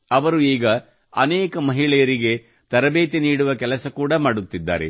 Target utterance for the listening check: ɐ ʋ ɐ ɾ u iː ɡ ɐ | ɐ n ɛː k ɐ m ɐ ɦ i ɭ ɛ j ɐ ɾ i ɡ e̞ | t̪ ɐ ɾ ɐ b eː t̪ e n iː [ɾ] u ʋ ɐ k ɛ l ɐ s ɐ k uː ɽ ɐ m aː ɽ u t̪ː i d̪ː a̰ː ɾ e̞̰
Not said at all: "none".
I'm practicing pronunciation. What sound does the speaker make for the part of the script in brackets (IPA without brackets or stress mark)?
ɽ